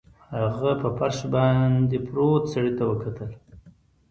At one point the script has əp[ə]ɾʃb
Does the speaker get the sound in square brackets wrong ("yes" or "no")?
yes